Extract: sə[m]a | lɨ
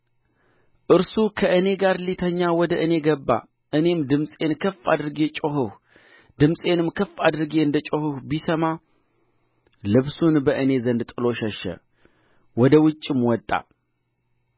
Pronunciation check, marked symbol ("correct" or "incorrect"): correct